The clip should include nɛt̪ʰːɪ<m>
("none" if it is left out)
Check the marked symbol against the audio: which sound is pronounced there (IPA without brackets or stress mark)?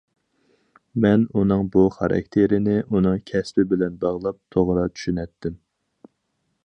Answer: m